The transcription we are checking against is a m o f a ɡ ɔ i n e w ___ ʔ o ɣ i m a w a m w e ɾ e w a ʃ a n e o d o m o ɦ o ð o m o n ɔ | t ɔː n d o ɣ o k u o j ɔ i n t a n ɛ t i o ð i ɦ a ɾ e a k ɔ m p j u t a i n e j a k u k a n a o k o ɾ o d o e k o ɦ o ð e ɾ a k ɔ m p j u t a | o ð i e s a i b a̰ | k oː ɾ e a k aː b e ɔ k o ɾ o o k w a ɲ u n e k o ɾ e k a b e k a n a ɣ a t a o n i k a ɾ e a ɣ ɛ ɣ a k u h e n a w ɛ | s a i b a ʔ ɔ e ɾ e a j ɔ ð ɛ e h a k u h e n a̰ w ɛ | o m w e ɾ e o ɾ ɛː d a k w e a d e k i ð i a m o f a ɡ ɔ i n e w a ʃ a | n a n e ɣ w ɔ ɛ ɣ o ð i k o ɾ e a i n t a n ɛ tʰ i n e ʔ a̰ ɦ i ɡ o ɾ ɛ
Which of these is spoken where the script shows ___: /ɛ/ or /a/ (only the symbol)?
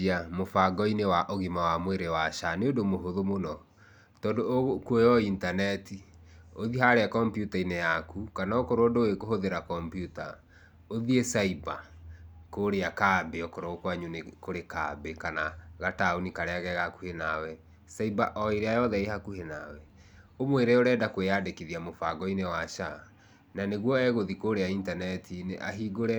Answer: a